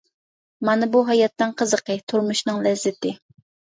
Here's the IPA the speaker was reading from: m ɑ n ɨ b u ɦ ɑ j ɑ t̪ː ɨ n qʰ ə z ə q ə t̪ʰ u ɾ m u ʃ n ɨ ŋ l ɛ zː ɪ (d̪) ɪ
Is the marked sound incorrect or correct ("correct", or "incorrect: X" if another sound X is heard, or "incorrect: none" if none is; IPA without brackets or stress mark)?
incorrect: t̪